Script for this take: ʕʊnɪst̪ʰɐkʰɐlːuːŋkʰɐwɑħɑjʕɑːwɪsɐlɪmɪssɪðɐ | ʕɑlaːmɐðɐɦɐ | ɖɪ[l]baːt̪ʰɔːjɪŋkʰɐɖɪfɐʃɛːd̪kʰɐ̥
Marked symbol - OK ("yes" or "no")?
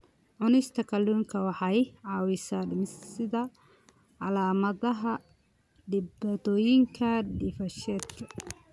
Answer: no